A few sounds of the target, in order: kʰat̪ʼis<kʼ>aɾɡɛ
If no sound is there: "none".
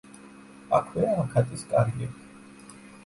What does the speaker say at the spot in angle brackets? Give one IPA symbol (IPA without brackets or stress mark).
kʼ